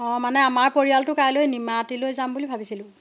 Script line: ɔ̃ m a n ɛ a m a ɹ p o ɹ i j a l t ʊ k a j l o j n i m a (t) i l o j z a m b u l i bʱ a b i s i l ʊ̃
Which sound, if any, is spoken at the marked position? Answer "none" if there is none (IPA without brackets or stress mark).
t